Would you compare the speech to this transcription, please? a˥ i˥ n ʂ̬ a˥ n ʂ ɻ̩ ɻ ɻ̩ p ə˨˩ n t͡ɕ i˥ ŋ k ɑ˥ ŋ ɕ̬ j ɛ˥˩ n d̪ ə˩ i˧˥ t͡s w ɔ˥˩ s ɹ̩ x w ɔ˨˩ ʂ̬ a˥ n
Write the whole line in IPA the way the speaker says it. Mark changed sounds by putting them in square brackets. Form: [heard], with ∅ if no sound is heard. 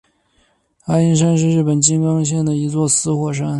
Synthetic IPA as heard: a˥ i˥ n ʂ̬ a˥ n ʂ ɻ̩ ɻ ɻ̩ p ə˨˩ n t͡ɕ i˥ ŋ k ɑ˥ ŋ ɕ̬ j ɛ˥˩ n d̪ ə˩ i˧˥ t͡s w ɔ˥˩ s ɹ̩ x w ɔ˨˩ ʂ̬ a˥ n